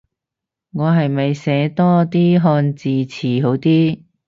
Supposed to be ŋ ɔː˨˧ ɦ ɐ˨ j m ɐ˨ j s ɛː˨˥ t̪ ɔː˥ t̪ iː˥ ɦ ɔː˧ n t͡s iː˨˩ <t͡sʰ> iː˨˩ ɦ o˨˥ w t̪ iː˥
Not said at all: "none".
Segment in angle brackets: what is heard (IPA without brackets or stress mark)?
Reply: t͡sʰ